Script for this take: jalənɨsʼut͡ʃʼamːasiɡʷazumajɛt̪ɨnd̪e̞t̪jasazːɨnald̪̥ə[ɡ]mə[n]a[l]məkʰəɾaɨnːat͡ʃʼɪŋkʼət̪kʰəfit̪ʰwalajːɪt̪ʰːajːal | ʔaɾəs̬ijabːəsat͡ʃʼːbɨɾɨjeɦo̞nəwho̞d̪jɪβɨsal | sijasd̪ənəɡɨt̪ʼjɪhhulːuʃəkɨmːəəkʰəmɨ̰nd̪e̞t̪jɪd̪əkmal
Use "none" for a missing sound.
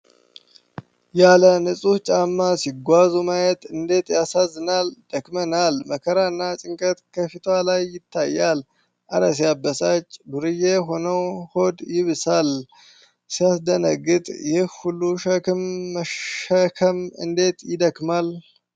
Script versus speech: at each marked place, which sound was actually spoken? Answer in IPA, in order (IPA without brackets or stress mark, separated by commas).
k, n, l